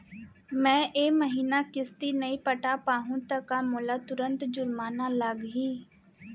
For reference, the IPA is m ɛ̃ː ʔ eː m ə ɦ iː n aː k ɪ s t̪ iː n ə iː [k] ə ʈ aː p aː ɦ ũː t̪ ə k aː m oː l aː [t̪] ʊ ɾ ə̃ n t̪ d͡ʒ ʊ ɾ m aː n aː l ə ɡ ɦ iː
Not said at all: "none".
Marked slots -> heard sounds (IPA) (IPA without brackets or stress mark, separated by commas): p, t̪